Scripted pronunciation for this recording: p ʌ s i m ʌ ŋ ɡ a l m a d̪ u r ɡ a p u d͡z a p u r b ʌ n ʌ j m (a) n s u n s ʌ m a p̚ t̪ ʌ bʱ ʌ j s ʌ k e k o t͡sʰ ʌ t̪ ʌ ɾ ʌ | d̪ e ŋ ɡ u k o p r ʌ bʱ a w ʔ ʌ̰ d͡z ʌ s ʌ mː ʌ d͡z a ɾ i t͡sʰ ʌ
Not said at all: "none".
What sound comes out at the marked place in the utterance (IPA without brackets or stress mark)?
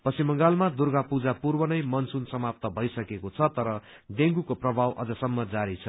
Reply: ʌ